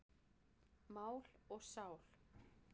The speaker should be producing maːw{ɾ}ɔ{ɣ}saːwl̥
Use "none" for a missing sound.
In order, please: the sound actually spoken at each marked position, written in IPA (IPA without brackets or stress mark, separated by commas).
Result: l, ɣ